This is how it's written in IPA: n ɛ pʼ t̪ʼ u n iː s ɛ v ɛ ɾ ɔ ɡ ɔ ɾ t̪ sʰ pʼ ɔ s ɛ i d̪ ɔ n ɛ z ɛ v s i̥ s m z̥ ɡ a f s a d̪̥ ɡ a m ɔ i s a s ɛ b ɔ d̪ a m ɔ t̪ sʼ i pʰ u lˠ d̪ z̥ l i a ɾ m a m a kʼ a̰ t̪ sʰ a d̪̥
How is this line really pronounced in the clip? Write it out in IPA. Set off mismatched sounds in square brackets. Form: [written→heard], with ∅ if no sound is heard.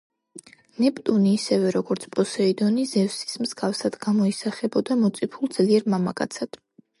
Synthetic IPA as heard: n ɛ pʼ t̪ʼ u n iː s ɛ v ɛ ɾ ɔ ɡ ɔ ɾ t̪ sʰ pʼ ɔ s ɛ i d̪ ɔ n [ɛ→i] z ɛ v s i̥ s m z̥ ɡ a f s a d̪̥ ɡ a m ɔ i s a [s→χ] ɛ b ɔ d̪ a m ɔ t̪ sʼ i pʰ u lˠ d̪ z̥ l i [a→ɛ] ɾ m a m a kʼ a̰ t̪ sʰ a d̪̥